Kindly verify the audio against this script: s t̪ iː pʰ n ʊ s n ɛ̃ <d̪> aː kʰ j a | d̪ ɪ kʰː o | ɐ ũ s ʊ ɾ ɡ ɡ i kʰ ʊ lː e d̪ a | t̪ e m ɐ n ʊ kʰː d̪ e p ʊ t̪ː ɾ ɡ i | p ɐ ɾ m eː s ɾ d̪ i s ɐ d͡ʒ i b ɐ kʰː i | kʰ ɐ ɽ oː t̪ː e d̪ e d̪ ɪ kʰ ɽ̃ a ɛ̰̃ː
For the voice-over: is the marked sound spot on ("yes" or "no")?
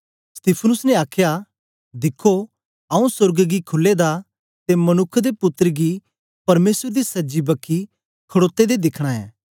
no